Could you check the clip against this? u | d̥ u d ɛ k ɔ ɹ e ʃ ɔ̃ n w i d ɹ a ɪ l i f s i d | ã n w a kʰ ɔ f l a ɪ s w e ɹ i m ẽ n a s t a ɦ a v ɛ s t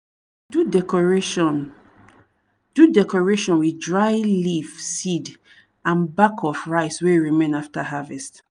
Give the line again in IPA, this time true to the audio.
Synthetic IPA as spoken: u | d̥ u d ɛ k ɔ ɹ e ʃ ɔ̃ n w i d ɹ a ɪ l i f s i d | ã n b a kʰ ɔ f ɹ a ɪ s w e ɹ i m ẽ n a f t a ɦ a v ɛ s t